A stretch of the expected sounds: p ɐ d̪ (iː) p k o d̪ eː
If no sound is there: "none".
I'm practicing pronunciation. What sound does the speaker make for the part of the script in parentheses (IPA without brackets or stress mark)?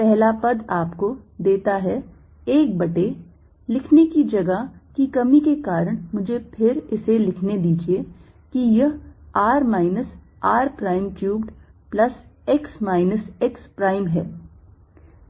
aː